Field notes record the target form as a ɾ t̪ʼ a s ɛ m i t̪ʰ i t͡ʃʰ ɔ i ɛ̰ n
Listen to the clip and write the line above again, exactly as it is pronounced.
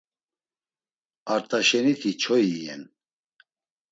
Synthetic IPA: a ɾ t̪ʼ a ʃ ɛ n i t̪ʰ i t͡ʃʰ ɔ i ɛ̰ n